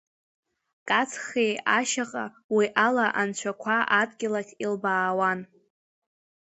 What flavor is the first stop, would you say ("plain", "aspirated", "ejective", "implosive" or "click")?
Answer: ejective